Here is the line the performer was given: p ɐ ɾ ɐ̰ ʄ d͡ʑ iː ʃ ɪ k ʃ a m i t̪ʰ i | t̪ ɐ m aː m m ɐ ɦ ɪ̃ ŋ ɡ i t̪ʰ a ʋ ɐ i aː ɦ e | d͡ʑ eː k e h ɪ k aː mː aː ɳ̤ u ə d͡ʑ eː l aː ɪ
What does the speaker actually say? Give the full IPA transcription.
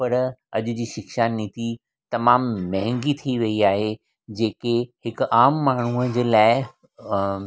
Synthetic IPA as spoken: p ɐ ɾ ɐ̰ ʄ d͡ʑ iː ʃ ɪ k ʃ a n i t̪ i | t̪ ɐ m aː m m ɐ ɦ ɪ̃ ŋ ɡ i t̪ʰ i ʋ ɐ i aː ɦ e | d͡ʑ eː k e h ɪ k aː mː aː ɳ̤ u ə d͡ʑ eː l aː ɪ